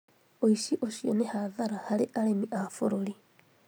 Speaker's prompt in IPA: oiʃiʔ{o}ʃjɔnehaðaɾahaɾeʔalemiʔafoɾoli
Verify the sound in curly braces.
correct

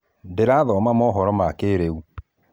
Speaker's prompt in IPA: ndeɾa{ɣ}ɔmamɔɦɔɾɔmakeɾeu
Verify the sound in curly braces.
incorrect: ð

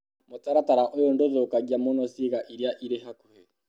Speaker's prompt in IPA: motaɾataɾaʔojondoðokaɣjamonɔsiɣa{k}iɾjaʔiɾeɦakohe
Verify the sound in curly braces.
incorrect: ʔ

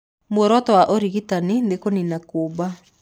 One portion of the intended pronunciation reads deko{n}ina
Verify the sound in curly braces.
correct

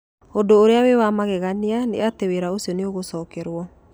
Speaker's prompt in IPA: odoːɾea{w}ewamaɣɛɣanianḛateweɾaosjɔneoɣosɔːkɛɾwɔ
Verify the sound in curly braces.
correct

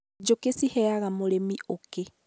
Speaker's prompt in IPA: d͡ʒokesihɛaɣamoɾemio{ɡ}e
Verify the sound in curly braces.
incorrect: k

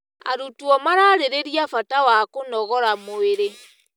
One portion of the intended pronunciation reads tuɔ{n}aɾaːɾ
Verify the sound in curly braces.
incorrect: m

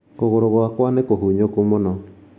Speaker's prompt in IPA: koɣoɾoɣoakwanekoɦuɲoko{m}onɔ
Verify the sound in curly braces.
correct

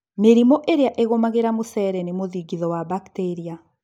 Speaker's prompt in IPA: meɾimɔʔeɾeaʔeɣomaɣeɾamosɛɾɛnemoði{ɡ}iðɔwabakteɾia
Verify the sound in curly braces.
correct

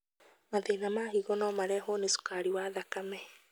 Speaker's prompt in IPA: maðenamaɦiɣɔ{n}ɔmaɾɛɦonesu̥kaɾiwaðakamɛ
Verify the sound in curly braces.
correct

